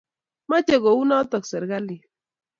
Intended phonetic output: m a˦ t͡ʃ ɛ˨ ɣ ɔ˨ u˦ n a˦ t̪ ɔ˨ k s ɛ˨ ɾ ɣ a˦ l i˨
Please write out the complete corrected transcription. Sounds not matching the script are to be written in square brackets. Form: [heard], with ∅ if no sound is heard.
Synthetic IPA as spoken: m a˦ t͡ʃ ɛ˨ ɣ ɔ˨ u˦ n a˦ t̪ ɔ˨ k s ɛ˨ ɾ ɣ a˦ l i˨